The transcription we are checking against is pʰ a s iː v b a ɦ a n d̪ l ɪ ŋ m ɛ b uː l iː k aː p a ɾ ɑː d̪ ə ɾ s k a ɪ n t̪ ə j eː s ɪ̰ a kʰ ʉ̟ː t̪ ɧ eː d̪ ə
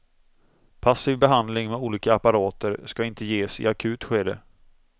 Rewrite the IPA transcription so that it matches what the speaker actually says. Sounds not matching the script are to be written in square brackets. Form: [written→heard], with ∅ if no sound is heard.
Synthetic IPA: pʰ a s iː v b [a→ɛ] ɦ a n d̪ l ɪ ŋ m ɛ [b→∅] uː l iː k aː p a ɾ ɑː [d̪→t̪] ə ɾ s k a ɪ n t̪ ə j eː s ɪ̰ a kʰ ʉ̟ː t̪ ɧ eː d̪ ə